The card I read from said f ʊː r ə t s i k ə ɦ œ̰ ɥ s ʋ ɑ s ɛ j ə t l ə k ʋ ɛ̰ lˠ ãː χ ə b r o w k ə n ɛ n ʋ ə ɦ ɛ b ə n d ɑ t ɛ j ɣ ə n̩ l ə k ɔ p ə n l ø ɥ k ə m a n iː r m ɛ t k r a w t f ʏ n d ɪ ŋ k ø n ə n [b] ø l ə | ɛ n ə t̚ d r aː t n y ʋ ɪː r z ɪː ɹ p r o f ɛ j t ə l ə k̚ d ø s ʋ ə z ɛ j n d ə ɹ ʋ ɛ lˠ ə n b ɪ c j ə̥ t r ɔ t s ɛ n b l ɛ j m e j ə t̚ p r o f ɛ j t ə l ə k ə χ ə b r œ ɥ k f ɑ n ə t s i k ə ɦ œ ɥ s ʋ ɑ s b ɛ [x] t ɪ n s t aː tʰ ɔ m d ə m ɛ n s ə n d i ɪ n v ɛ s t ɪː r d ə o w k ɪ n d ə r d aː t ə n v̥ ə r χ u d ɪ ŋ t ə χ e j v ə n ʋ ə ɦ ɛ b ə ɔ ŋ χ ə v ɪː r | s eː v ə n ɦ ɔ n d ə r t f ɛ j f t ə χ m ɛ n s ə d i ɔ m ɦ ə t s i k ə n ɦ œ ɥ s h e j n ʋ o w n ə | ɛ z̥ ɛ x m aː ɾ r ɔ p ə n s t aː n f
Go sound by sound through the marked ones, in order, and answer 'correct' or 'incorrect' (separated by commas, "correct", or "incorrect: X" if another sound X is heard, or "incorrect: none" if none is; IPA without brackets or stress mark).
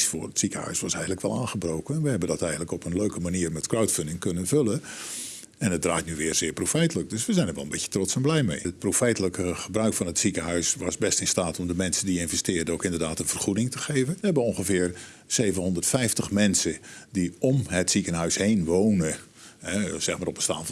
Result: incorrect: v, incorrect: s